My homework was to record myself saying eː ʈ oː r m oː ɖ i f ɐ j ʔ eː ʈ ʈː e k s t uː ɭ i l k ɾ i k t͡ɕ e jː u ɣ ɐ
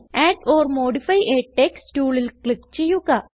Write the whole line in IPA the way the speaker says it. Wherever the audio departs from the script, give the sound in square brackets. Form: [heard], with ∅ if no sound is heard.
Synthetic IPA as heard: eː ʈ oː r m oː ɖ i f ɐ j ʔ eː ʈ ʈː e k s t uː ɭ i l k [ɭ] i k t͡ɕ e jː u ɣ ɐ